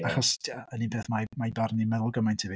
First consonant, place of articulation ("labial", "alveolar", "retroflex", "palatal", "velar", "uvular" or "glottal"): uvular